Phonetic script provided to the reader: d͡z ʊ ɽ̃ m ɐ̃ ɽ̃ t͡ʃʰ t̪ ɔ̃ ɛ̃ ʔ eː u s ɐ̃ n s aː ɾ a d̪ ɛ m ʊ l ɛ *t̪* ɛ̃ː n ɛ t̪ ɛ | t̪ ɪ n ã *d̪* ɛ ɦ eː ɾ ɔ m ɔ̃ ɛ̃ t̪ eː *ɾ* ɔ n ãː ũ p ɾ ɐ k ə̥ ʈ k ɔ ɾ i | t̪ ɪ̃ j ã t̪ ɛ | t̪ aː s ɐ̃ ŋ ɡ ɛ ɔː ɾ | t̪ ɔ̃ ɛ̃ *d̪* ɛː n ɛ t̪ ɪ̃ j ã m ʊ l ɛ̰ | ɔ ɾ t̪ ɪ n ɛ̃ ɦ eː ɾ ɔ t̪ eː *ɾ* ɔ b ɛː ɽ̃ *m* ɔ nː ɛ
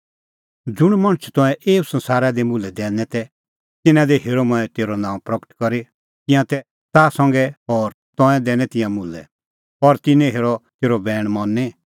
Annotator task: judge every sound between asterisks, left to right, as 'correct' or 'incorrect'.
incorrect, correct, correct, correct, correct, correct

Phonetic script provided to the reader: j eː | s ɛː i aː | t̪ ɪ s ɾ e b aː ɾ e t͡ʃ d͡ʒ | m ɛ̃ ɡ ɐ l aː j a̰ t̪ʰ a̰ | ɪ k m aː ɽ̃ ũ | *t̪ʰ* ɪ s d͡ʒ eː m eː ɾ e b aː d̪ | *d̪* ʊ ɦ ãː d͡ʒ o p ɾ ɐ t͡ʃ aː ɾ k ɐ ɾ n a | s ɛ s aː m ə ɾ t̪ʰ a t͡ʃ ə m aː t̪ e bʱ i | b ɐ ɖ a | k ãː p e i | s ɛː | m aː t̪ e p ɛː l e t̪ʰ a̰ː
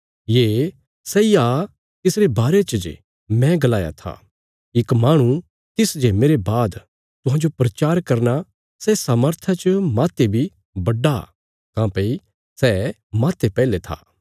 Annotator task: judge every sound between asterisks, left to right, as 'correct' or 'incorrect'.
incorrect, incorrect

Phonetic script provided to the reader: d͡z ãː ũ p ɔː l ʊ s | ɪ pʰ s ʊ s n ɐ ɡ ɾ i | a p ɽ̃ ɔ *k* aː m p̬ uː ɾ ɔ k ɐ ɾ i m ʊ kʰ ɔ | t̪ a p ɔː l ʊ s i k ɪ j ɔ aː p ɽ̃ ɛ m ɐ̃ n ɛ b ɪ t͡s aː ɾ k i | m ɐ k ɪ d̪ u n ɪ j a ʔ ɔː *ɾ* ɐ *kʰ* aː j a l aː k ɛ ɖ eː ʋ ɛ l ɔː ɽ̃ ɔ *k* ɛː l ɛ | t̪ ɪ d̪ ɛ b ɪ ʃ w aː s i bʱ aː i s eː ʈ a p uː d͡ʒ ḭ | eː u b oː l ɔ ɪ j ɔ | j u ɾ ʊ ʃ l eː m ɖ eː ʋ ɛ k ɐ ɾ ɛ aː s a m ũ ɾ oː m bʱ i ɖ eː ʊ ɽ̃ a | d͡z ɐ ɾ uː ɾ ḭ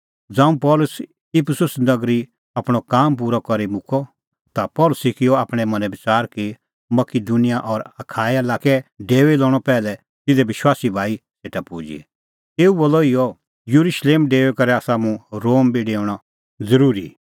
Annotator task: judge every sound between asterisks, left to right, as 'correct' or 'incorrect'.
correct, correct, correct, incorrect

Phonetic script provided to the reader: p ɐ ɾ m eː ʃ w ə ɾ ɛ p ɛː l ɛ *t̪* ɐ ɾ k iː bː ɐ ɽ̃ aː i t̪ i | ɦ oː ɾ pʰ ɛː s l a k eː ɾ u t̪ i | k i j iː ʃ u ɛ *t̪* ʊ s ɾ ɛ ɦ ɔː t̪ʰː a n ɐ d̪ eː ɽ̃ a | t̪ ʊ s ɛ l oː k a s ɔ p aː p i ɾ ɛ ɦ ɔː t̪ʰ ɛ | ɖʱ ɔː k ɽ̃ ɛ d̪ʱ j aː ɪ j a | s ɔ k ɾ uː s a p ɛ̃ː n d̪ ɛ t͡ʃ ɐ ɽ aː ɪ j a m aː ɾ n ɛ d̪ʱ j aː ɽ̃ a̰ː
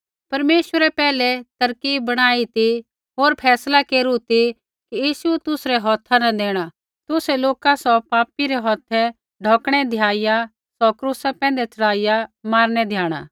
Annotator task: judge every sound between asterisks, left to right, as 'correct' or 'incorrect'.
correct, correct

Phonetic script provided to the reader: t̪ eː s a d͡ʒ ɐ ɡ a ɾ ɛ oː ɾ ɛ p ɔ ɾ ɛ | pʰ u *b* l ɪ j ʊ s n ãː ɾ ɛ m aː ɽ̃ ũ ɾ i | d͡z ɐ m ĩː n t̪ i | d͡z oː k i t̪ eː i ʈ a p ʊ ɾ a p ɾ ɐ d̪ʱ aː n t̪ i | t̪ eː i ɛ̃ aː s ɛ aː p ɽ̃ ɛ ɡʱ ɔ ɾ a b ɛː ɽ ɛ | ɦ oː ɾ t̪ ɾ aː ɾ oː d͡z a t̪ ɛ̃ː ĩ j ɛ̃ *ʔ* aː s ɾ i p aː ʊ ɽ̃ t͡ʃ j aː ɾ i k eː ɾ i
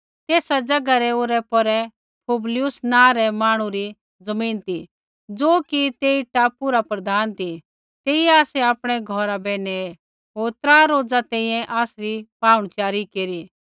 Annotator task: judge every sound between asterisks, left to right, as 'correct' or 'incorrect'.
correct, correct

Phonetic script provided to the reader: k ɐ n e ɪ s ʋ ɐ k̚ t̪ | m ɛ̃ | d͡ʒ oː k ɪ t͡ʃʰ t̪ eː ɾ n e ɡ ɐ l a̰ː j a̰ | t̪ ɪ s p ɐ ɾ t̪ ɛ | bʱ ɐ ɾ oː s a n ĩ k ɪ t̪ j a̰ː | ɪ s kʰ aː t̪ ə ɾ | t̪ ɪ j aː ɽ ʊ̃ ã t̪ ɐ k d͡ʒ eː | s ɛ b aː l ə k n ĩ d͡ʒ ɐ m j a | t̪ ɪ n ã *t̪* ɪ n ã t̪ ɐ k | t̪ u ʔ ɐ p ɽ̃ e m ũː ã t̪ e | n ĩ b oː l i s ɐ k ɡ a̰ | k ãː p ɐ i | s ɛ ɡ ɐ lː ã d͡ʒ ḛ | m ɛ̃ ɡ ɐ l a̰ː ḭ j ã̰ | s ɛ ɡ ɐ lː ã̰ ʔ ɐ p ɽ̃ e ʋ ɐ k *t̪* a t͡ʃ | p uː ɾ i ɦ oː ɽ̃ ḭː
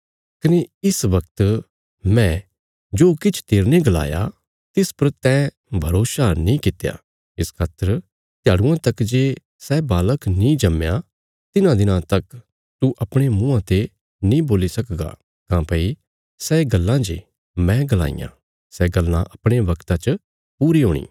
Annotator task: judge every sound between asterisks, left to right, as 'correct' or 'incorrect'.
incorrect, correct

